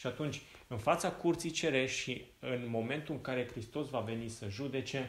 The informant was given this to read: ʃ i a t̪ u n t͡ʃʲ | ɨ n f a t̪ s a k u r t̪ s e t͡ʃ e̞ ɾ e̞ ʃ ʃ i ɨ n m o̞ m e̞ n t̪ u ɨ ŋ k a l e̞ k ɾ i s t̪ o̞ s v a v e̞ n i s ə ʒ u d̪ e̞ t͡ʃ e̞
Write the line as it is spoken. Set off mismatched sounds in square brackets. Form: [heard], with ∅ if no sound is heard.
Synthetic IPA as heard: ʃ i a t̪ u n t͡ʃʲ | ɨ n f a t̪ s a k u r t̪ s [i] t͡ʃ e̞ ɾ e̞ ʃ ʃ i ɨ n m o̞ m e̞ n t̪ u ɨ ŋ k a [ɾ] e̞ k ɾ i s t̪ o̞ s v a v e̞ n i s ə ʒ u d̪ e̞ t͡ʃ e̞